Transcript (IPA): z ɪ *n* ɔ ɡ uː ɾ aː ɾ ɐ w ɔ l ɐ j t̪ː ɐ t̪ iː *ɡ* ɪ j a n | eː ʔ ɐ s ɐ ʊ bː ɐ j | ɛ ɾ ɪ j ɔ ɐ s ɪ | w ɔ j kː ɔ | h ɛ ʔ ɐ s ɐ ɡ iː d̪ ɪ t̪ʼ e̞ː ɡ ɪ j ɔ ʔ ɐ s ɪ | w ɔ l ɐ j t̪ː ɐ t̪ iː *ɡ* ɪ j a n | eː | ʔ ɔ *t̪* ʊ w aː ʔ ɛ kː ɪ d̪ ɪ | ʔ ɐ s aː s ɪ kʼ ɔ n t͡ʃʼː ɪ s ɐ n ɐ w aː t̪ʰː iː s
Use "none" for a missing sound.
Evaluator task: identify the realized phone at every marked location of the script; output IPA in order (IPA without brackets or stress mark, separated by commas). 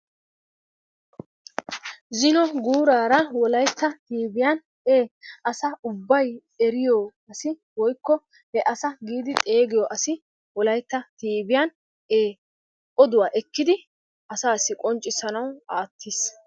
n, b, b, d̪